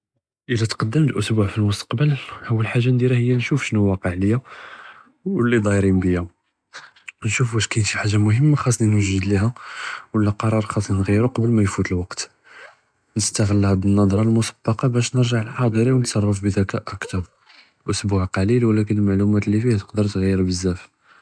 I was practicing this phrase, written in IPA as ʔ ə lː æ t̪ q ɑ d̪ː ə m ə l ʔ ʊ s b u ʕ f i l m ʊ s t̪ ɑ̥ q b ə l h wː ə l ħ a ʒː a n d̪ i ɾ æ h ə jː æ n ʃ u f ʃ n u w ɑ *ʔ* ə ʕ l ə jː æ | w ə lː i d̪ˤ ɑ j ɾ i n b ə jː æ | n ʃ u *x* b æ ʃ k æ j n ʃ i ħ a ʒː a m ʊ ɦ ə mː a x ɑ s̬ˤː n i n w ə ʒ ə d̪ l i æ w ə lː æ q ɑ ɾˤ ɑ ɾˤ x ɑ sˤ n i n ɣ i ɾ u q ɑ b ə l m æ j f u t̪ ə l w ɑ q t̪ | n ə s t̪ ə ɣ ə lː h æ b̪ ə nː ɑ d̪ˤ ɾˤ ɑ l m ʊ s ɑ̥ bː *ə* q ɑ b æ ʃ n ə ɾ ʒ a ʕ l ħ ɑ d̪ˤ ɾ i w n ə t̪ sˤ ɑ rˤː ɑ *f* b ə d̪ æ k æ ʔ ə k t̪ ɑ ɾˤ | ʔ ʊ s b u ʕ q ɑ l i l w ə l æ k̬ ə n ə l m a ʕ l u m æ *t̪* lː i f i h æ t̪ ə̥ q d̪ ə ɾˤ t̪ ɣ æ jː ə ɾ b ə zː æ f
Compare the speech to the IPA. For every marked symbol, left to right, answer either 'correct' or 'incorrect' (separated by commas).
incorrect, incorrect, incorrect, correct, correct